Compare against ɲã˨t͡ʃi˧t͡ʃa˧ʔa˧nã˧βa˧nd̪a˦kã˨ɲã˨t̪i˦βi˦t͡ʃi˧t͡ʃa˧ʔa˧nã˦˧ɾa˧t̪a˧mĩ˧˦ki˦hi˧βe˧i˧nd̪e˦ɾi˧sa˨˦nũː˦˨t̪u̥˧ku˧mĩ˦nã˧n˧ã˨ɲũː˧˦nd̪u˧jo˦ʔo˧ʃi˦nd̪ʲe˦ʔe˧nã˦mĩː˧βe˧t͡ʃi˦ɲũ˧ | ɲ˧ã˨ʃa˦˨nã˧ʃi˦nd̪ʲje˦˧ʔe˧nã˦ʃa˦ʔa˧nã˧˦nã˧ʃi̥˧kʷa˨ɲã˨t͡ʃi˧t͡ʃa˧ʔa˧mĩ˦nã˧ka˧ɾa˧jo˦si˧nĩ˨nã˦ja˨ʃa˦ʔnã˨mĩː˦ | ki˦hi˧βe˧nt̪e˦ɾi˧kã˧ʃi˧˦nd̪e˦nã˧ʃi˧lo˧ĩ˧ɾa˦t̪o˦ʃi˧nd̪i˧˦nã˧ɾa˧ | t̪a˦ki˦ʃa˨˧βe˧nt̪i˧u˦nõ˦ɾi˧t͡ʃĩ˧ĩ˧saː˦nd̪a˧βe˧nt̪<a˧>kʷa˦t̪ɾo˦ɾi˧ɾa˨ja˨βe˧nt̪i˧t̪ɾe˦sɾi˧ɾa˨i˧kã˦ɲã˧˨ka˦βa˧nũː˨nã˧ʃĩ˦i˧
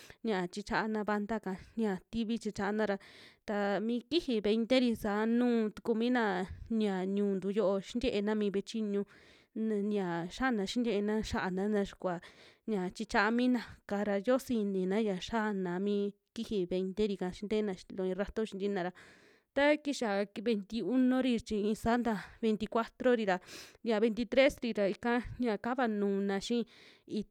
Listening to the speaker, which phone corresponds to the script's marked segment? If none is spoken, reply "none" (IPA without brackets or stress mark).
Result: i˧